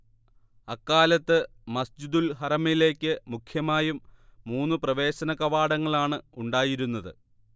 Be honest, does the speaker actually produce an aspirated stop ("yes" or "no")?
yes